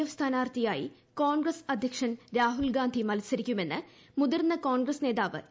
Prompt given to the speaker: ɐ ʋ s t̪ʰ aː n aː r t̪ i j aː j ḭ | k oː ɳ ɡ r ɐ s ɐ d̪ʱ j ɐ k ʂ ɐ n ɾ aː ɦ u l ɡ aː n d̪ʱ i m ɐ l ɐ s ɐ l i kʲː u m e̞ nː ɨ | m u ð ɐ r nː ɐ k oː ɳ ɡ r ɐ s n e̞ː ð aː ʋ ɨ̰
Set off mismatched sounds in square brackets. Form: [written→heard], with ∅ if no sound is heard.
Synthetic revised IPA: ɐ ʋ s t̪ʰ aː n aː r t̪ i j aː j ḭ | k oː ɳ ɡ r ɐ s ɐ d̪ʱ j ɐ k ʂ ɐ n ɾ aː ɦ u l ɡ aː n d̪ʱ i m ɐ l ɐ s ɐ [l→ɾ] i kʲː u m e̞ nː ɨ | m u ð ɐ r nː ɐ k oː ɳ ɡ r ɐ s n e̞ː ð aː ʋ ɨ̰